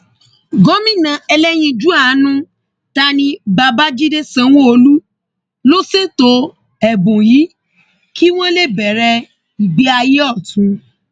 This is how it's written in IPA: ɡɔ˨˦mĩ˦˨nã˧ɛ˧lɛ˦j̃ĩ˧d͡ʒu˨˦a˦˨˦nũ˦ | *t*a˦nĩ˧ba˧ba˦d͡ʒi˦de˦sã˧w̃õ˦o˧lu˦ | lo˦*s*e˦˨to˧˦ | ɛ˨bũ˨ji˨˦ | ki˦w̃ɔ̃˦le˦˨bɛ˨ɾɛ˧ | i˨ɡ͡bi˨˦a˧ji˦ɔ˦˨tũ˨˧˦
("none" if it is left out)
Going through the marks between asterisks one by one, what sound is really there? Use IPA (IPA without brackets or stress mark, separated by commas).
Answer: t, s